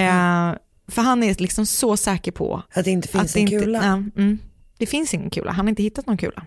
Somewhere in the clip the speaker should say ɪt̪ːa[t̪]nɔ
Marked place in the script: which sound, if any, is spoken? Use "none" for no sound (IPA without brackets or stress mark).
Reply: t̪